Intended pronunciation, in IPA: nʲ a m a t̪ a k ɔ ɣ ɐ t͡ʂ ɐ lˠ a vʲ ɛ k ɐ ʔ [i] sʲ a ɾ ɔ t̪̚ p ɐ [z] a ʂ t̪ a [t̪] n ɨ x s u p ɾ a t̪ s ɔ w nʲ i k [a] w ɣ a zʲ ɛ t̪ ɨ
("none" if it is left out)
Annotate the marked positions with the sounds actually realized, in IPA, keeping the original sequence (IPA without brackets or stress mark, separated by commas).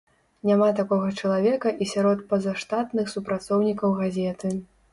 i, z, t̪, ɐ